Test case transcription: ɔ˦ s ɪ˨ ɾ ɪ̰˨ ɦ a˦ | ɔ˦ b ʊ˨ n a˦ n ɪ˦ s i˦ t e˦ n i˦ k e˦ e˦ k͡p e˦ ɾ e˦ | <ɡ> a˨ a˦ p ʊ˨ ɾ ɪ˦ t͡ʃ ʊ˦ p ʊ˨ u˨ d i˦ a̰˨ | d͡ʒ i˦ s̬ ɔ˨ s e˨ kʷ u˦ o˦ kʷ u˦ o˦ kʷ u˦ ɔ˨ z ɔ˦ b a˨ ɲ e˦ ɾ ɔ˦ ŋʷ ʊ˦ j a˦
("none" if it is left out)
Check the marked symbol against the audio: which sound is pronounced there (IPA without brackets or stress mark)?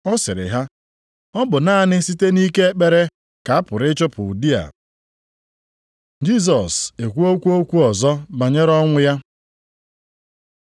k